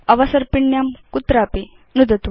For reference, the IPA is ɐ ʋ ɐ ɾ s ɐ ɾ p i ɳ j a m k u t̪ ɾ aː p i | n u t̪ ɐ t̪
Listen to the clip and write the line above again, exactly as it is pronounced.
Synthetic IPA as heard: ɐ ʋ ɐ s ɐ ɾ p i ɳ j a m k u t̪ ɾ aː p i | n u d̪ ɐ t̪